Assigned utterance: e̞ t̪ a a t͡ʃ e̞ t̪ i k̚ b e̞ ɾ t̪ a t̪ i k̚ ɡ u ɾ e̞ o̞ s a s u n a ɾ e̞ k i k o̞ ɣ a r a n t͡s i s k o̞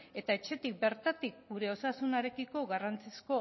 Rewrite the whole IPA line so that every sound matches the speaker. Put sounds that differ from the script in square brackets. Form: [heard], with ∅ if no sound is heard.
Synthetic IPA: e̞ t̪ a [e] t͡ʃ e̞ t̪ i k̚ b e̞ ɾ t̪ a t̪ i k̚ ɡ u ɾ e̞ o̞ s a s u n a ɾ e̞ k i k o̞ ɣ a r a n t͡s i s k o̞

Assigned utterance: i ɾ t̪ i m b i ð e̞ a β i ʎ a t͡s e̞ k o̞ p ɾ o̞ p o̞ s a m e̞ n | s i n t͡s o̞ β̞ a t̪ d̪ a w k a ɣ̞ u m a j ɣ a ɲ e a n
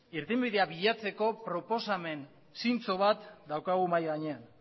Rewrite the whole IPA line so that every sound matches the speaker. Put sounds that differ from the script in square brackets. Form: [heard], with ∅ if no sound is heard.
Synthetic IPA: i ɾ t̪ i m b i ð e̞ a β i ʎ a t͡s e̞ k o̞ p ɾ o̞ p o̞ s a m e̞ n | s i n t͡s o̞ β̞ a t̪ d̪ a w k a ɣ̞ u m a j ɣ a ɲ e a n

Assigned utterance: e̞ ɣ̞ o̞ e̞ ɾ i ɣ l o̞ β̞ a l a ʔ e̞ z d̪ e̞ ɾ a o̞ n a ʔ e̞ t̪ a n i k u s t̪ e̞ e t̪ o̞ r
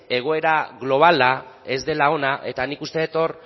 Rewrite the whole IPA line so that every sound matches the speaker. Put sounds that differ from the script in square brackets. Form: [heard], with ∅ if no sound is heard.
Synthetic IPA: e̞ ɣ̞ o̞ e̞ ɾ [a] ɣ l o̞ β̞ a l a [∅] e̞ z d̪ e̞ [l] a o̞ n a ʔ e̞ t̪ a n i k u s t̪ e̞ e t̪ o̞ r

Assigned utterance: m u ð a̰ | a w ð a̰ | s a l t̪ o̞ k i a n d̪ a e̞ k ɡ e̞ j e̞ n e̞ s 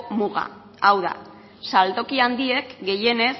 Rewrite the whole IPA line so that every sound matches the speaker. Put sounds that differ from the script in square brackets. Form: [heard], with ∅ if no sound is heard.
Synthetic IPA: m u [ɣ] a̰ | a w ð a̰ | s a l t̪ o̞ k i a n d̪ [i] e̞ k ɡ e̞ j e̞ n e̞ s

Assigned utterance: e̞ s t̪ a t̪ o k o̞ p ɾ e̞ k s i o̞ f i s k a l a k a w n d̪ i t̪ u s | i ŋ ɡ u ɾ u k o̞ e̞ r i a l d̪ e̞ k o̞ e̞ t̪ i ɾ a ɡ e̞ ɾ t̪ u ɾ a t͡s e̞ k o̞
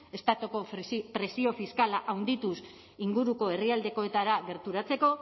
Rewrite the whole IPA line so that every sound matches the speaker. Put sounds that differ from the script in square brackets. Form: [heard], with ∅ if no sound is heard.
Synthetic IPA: e̞ s t̪ a t̪ o k o̞ p ɾ e̞ [∅] s i o̞ f i s k a l a [ʔ] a w n d̪ i t̪ u s | i ŋ ɡ u ɾ u k o̞ e̞ r i a l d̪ e̞ k o̞ e̞ t̪ [a] ɾ a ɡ e̞ ɾ t̪ u ɾ a t͡s e̞ k o̞

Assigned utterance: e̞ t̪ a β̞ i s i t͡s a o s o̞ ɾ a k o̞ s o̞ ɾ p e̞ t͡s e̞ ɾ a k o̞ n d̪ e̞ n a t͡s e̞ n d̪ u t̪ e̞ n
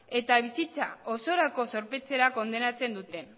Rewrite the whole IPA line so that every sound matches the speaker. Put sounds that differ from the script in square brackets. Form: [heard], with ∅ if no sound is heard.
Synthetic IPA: e̞ t̪ a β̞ i s i t͡s a o s o̞ ɾ a k o̞ s o̞ ɾ p e̞ t͡s e̞ ɾ a k o̞ n d̪ e̞ n a t͡s e̞ n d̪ u t̪ e̞ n

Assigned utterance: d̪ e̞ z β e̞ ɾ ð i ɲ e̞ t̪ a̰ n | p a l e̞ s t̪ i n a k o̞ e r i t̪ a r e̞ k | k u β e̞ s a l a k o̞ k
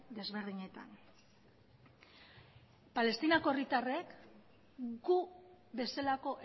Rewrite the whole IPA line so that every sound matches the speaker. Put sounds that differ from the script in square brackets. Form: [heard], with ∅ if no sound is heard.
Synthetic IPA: d̪ e̞ z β e̞ ɾ ð i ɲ e̞ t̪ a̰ n | p a l e̞ s t̪ i n a k o̞ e r i t̪ a r e̞ k | [ɡ] u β e̞ s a l a k o̞ [ʔ]

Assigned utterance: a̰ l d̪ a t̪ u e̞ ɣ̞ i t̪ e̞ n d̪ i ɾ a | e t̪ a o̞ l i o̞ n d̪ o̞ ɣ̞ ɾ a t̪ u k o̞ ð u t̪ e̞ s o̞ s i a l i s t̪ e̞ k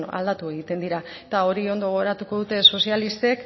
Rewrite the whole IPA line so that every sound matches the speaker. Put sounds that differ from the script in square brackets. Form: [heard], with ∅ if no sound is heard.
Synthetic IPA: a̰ l d̪ a t̪ u e̞ ɣ̞ i t̪ e̞ n d̪ i ɾ a | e t̪ a o̞ [ɾ] i o̞ n d̪ o̞ ɣ̞ ɾ a t̪ u k o̞ ð u t̪ e̞ s o̞ s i a l i s t̪ e̞ k

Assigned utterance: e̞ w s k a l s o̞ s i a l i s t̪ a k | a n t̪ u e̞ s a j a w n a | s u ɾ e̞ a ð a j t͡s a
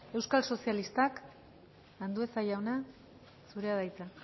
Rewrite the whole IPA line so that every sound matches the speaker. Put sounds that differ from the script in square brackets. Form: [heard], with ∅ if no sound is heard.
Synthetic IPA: e̞ w s k a l s o̞ s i a l i s t̪ a k | a n [d̪] u e̞ s a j a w n a | s u ɾ e̞ a ð a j t͡s a

